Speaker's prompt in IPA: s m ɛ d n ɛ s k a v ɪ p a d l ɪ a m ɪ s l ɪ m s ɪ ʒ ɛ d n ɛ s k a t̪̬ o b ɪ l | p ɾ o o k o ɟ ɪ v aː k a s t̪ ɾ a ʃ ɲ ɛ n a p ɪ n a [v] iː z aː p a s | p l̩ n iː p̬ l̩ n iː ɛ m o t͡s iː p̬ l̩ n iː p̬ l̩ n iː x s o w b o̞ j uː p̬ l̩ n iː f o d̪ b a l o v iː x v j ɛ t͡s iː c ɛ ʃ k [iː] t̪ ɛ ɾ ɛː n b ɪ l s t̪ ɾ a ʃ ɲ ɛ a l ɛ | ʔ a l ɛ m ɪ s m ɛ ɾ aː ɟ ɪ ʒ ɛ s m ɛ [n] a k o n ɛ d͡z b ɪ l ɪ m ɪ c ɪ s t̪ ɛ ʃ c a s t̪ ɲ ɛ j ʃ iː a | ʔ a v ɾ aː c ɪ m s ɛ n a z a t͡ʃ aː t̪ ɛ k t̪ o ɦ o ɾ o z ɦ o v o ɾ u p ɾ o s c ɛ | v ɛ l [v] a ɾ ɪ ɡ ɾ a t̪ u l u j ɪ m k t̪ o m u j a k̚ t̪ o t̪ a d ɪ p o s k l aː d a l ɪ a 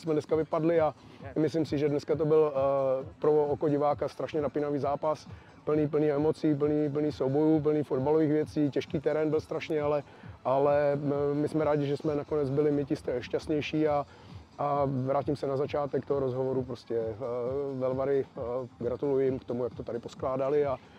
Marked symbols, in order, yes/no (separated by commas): yes, yes, yes, yes